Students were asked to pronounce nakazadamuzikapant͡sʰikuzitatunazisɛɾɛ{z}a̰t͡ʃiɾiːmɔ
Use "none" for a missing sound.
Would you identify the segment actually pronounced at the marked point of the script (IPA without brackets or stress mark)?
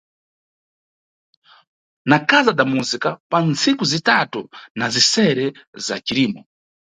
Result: z